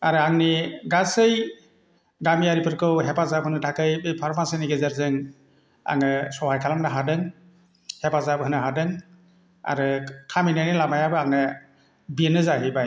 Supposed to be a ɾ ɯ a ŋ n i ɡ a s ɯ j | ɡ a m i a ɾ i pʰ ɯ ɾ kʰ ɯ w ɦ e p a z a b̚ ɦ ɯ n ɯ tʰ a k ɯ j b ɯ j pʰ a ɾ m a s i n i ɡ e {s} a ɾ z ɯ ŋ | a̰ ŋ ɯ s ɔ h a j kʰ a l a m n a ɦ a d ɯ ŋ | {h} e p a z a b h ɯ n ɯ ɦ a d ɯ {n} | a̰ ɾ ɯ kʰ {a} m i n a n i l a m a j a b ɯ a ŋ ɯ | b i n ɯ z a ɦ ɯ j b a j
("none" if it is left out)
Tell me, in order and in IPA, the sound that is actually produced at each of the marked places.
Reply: z, h, ŋ, a

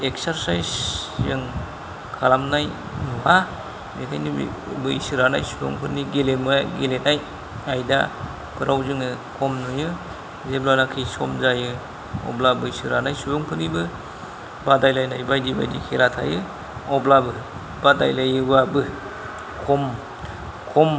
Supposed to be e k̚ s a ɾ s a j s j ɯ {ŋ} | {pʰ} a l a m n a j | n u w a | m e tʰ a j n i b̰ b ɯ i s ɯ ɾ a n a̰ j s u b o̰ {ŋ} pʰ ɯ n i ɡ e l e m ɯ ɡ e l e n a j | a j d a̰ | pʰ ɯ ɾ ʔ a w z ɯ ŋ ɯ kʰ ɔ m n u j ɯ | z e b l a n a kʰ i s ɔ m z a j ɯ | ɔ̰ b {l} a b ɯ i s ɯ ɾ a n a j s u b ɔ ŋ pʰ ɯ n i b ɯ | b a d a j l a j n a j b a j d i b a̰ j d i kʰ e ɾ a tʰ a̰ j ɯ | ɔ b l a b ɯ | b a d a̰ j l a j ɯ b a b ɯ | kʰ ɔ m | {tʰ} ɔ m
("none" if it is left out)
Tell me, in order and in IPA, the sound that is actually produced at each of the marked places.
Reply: ŋ, kʰ, ŋ, l, kʰ

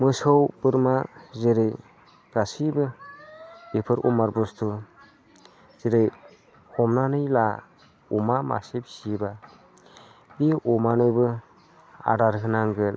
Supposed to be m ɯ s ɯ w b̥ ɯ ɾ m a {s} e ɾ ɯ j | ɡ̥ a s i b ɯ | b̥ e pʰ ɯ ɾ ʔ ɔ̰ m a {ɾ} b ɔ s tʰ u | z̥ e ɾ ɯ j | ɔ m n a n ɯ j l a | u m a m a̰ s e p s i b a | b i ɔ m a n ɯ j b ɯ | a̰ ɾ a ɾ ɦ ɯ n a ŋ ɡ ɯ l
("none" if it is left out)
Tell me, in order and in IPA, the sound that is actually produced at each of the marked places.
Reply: z, ɾ

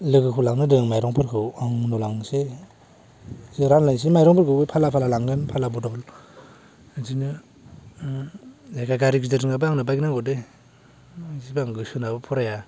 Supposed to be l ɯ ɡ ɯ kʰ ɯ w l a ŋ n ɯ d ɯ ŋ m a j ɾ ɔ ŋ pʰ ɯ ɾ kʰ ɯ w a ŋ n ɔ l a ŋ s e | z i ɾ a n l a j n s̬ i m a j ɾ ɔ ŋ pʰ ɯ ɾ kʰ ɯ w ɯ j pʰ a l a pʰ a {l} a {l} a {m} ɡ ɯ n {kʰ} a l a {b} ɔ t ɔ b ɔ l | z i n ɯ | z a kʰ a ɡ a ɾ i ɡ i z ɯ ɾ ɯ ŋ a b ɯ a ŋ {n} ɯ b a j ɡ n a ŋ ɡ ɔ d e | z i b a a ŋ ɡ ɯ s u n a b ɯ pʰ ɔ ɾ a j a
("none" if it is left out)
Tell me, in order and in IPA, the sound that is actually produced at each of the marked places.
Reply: l, l, ŋ, pʰ, b, n

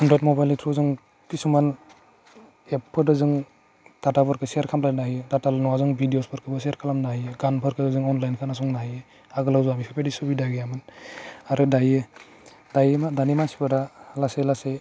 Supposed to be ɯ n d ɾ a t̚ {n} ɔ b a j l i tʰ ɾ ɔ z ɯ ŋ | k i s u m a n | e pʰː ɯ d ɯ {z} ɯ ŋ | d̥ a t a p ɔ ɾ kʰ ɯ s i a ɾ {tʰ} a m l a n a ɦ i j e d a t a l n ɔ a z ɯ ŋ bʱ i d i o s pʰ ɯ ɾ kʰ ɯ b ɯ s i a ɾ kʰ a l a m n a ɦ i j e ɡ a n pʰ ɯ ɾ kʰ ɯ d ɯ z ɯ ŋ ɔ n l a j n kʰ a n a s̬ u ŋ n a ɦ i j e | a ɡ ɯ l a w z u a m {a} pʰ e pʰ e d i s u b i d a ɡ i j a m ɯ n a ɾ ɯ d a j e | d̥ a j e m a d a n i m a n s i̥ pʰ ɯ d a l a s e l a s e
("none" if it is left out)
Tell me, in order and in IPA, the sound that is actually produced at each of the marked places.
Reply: m, z, kʰ, i

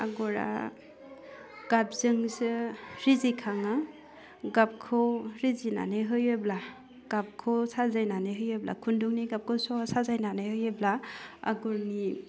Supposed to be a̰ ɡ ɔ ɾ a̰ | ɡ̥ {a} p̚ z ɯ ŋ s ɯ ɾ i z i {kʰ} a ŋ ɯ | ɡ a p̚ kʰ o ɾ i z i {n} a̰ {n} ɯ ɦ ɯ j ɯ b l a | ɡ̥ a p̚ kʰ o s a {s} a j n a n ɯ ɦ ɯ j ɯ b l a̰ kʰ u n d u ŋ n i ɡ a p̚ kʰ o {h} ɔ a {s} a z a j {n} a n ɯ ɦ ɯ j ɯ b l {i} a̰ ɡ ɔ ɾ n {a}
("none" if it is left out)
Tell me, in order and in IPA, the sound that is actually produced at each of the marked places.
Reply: a, kʰ, n, n, z, s, s, n, a, i

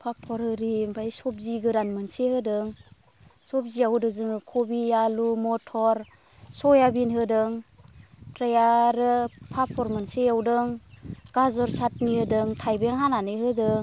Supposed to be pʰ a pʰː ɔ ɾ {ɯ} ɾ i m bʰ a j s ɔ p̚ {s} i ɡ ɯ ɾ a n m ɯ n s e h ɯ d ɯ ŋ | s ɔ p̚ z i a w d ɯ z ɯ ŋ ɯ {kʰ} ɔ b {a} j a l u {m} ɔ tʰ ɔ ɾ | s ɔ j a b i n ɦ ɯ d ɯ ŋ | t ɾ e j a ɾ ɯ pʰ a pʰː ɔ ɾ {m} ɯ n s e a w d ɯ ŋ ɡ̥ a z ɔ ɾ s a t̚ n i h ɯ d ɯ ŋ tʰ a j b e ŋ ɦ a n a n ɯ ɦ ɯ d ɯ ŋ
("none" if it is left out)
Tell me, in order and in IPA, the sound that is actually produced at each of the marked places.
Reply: ɯ, z, kʰ, i, m, m

